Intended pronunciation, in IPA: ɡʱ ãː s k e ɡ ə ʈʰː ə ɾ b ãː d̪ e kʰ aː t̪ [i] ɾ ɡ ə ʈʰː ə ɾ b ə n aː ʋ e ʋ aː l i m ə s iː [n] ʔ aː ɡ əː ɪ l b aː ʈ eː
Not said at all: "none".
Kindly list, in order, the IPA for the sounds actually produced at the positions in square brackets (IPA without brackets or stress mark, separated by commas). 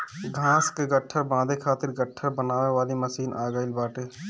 ɪ, n